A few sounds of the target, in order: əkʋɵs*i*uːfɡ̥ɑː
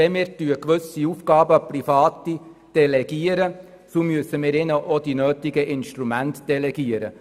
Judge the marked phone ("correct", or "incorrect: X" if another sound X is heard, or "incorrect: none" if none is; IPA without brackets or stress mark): correct